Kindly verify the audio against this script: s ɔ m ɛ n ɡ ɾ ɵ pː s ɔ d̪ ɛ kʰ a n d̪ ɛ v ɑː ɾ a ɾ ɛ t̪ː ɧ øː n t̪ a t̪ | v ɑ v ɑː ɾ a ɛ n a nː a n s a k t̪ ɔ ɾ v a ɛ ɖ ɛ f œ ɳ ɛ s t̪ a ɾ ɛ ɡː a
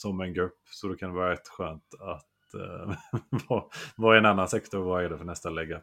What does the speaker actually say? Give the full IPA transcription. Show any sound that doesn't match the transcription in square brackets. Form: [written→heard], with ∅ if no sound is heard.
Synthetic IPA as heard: s ɔ m ɛ n ɡ ɾ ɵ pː s ɔ d̪ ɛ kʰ a n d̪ ɛ v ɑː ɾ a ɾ ɛ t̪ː ɧ øː n t̪ a t̪ | v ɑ v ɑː ɾ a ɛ n a nː a n s [a→ɛ] k t̪ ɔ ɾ v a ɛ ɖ ɛ f œ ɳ ɛ s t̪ a [ɾ→l] ɛ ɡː a